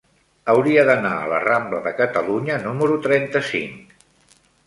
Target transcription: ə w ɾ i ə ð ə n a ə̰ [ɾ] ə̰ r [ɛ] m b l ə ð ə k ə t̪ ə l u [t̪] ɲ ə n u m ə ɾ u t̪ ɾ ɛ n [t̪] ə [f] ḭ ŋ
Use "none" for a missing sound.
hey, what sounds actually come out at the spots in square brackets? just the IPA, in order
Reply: l, a, none, t̪, s

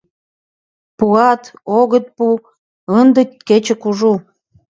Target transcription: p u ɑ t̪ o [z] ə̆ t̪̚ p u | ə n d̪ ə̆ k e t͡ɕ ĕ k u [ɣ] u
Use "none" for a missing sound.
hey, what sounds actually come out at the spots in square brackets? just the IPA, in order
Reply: ɣ, ʒ

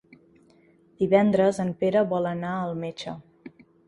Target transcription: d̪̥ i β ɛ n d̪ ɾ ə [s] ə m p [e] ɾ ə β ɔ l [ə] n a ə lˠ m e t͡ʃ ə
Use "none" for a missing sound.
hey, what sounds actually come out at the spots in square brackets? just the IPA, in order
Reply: z, e, ə

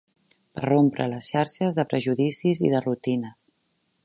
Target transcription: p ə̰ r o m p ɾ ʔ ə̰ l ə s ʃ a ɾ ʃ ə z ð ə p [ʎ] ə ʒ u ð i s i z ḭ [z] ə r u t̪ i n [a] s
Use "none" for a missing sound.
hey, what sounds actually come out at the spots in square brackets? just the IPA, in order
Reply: ɾ, ð, ə

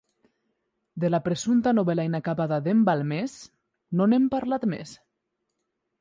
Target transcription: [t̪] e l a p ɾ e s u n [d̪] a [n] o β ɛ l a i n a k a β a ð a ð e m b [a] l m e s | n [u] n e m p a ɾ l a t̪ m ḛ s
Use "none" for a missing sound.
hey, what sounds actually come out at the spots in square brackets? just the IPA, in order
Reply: d̪, t̪, n, a, o

